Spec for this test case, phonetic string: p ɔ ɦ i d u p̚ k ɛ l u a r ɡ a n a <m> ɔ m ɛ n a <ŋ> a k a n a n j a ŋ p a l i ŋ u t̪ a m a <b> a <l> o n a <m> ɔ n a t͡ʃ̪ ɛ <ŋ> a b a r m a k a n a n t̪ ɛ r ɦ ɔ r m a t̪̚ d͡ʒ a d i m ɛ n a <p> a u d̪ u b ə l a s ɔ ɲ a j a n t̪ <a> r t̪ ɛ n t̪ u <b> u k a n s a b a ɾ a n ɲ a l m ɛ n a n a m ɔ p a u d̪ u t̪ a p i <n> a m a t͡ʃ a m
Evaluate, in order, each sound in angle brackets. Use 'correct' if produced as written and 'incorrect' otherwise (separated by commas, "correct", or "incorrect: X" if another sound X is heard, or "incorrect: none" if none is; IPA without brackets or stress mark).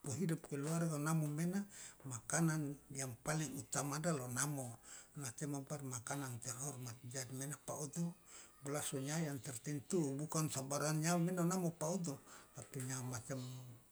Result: correct, incorrect: m, incorrect: d, correct, correct, incorrect: m, correct, incorrect: ɛ, correct, incorrect: ɲ